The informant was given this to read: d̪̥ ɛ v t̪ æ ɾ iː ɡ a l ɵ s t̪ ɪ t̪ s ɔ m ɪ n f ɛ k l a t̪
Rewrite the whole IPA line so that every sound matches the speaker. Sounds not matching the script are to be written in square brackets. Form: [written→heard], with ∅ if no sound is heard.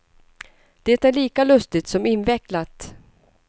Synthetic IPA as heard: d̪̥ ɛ [v→∅] t̪ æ [ɾ→ɭ] iː [ɡ→k] a l ɵ s t̪ ɪ t̪ s ɔ m ɪ n [f→v] ɛ k l a t̪